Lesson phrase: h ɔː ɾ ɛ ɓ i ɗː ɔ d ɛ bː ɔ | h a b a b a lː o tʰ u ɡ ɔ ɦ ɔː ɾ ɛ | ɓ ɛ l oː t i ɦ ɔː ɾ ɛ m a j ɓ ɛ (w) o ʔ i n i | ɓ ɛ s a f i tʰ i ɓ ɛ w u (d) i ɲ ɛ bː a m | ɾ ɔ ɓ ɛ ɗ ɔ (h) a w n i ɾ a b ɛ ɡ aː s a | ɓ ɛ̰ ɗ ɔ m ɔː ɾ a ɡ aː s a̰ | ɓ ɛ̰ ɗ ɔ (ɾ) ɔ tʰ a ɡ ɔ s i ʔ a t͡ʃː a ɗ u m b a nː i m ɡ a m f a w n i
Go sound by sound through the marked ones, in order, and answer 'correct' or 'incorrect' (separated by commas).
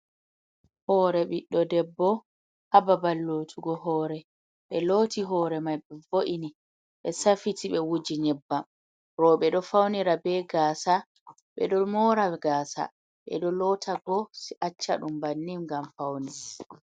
incorrect, incorrect, incorrect, incorrect